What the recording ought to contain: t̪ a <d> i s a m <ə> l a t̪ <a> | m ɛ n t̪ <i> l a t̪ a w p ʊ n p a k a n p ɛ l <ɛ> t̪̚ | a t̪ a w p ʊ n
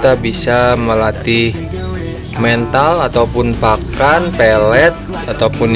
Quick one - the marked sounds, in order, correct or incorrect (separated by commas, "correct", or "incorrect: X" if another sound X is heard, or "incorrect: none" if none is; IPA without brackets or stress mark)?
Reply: incorrect: b, correct, incorrect: i, incorrect: a, correct